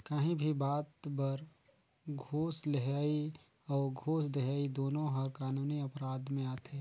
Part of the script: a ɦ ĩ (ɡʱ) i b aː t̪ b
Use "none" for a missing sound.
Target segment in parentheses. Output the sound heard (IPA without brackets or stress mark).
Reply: bʱ